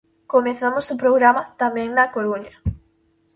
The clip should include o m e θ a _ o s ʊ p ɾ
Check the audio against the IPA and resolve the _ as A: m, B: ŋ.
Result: A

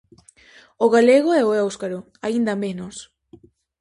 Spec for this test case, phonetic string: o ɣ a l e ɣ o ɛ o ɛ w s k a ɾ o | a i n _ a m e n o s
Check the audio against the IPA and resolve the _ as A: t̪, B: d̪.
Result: B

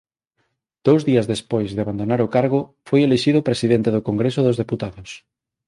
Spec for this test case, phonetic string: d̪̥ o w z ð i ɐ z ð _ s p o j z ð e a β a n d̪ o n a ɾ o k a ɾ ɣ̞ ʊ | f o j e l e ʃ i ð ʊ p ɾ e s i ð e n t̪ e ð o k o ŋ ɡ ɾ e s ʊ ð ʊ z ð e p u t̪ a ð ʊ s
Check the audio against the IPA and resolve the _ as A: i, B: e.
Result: B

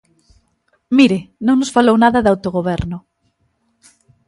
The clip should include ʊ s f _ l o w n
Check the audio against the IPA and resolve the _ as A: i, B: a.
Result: B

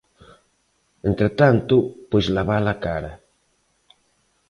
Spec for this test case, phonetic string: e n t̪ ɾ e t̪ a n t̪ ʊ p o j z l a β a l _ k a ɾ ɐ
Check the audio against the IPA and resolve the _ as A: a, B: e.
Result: A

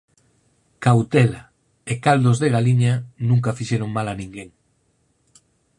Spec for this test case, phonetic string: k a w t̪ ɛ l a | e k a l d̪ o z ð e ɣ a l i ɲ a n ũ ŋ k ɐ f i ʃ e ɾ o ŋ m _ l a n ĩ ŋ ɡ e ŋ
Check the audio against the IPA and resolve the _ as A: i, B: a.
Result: B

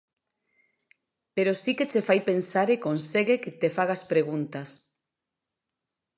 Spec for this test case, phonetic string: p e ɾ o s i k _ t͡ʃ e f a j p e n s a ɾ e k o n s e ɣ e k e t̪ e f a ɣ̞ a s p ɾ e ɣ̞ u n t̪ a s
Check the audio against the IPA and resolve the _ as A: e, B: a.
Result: A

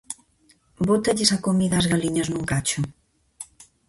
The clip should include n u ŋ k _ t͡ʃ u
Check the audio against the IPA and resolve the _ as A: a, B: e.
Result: A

